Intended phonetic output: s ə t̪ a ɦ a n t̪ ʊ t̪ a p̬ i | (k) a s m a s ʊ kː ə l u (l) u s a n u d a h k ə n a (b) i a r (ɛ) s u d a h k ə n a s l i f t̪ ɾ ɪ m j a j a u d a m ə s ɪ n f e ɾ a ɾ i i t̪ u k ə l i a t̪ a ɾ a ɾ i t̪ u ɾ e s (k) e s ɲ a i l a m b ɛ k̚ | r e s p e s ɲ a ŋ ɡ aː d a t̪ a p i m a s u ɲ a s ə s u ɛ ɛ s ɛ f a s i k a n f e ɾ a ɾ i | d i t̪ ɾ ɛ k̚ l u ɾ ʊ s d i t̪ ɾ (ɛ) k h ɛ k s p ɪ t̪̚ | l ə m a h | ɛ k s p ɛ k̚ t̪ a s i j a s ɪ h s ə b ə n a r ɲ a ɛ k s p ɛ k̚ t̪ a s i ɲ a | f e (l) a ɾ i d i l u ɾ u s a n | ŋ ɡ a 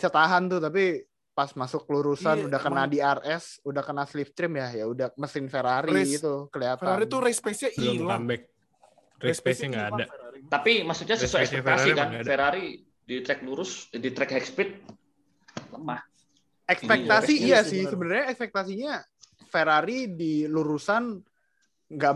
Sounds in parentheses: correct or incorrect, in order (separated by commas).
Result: incorrect, incorrect, incorrect, correct, incorrect, correct, incorrect